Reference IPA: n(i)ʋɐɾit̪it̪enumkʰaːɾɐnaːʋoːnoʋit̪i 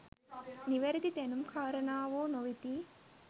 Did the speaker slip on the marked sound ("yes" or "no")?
no